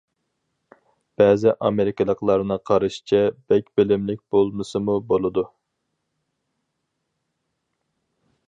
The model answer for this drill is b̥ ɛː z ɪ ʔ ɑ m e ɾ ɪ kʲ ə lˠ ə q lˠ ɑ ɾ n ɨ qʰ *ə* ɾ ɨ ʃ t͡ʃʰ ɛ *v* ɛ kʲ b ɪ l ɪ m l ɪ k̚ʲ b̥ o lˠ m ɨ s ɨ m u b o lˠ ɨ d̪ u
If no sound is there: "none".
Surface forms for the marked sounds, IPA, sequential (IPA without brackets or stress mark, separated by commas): ɑ, b